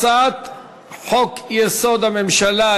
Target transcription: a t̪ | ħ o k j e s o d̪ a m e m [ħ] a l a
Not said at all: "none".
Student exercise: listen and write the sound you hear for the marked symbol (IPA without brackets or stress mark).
ʃ